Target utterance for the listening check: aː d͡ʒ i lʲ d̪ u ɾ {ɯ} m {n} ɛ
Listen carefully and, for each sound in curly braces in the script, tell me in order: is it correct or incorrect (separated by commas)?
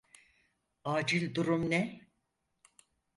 incorrect, correct